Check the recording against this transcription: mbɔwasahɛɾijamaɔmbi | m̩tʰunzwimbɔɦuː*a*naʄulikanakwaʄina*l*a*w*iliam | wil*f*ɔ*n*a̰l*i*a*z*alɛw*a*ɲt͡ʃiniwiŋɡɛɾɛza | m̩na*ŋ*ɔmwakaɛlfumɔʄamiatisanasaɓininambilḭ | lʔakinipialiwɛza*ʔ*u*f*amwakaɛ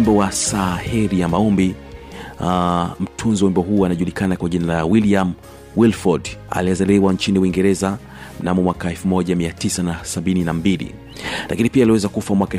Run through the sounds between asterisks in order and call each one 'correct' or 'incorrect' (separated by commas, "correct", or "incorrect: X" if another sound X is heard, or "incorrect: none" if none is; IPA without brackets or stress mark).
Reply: correct, correct, correct, correct, incorrect: d, correct, correct, correct, incorrect: m, incorrect: k, correct